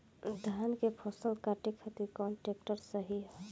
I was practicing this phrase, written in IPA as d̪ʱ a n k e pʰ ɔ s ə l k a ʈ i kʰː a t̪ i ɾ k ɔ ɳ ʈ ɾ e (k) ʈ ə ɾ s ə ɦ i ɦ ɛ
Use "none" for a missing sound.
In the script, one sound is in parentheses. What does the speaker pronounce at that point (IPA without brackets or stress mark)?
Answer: k